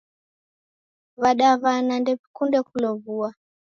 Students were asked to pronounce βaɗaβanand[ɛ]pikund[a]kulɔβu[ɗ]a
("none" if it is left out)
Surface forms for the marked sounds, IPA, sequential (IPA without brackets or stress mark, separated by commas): ɛ, ɛ, none